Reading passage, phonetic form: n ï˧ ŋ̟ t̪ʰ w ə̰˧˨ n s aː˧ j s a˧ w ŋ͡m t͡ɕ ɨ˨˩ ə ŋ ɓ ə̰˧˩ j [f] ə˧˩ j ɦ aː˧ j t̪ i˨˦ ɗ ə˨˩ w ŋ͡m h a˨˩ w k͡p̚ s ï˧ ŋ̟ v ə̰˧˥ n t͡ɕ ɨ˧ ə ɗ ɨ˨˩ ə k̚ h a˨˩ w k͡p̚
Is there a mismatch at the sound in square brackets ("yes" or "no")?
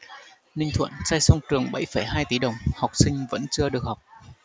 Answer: no